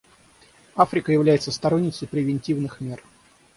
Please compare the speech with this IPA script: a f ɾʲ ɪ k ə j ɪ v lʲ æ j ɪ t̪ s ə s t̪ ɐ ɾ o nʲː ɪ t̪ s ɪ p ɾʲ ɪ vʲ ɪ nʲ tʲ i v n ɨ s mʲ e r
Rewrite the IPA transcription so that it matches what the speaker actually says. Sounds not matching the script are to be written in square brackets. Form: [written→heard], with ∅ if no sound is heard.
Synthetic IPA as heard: a f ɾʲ ɪ k ə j ɪ v lʲ æ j ɪ t̪ s ə s t̪ ɐ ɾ o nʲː ɪ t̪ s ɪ p ɾʲ ɪ vʲ ɪ nʲ tʲ i v n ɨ [s→x] mʲ e r